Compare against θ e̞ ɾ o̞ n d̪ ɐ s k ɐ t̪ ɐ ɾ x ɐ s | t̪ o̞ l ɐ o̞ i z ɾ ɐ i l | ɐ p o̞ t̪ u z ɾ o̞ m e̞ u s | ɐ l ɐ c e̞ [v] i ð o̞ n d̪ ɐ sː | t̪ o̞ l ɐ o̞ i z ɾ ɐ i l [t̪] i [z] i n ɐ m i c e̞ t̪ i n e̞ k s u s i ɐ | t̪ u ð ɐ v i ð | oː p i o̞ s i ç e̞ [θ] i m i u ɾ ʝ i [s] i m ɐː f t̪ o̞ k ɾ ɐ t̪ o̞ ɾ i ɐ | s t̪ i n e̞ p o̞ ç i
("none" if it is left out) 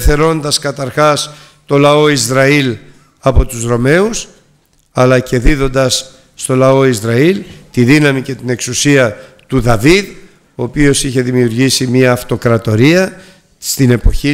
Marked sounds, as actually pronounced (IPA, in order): ð, t̪, ð, ð, s

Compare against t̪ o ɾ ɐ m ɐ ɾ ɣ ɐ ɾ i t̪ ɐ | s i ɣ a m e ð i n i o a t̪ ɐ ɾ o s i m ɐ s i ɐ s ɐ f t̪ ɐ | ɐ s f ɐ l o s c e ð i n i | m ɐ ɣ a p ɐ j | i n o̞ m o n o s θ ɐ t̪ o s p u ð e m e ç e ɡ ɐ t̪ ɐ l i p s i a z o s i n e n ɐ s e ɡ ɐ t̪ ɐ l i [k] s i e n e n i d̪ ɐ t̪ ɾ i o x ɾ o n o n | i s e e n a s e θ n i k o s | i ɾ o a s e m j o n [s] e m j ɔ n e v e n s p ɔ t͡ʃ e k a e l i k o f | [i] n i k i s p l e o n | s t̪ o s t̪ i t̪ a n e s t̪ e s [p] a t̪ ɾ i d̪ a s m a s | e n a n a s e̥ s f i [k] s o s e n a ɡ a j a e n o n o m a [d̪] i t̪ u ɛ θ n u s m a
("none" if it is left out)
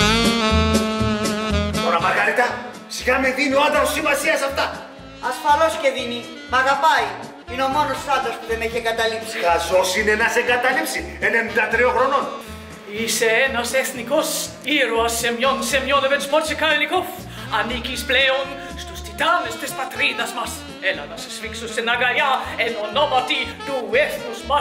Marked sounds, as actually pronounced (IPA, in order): p, s, a, p, k, t̪

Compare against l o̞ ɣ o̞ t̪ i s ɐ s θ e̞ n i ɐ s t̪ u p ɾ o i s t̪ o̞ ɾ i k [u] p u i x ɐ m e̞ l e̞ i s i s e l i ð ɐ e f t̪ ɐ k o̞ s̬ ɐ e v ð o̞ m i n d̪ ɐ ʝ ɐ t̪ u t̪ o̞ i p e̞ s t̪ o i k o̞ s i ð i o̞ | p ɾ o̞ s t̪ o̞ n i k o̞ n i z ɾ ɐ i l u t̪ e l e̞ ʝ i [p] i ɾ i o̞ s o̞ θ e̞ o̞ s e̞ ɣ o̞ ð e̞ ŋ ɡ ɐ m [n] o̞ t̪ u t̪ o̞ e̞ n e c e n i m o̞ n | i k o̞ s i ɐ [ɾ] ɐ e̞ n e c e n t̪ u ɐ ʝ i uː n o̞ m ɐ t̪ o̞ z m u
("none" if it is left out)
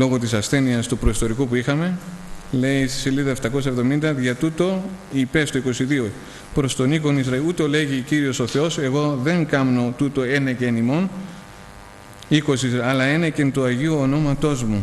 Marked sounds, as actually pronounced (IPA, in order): u, c, n, l

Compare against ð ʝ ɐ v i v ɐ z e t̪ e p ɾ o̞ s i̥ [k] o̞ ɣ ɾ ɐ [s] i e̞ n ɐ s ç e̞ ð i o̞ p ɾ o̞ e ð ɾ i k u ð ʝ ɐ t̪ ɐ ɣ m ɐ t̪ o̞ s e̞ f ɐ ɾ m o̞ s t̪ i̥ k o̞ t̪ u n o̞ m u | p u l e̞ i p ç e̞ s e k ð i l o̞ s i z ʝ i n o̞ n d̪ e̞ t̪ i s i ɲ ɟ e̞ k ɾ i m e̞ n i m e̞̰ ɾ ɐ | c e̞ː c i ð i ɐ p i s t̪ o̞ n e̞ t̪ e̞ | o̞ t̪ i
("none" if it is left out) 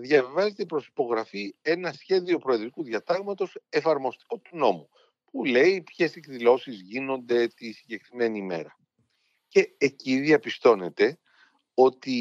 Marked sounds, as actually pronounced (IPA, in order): p, f

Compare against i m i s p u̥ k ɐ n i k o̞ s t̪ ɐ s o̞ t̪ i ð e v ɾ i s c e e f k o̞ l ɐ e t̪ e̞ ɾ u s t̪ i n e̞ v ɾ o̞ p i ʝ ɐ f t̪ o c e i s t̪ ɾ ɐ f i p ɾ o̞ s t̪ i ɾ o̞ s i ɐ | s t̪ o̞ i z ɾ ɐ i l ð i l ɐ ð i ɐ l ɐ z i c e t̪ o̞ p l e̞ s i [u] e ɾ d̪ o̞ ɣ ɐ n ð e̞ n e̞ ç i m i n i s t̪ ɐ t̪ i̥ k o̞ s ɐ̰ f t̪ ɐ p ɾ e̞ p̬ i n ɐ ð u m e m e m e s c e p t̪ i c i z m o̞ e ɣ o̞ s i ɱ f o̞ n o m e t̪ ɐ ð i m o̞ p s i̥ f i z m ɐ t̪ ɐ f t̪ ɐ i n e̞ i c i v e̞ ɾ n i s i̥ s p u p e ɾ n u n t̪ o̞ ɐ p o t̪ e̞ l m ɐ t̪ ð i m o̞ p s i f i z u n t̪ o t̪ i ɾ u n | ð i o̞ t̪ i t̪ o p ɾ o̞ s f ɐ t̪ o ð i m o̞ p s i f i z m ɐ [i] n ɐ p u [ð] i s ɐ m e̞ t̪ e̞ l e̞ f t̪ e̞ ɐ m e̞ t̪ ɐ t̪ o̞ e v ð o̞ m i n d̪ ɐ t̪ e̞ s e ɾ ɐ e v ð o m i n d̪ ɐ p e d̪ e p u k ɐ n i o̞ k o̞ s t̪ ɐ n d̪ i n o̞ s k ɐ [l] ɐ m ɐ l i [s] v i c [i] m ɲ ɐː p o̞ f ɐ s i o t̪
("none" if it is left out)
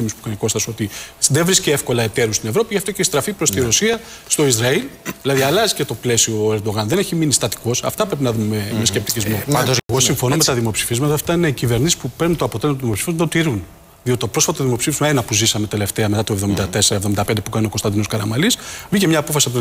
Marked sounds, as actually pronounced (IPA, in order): o, e, z, ɾ, s, e

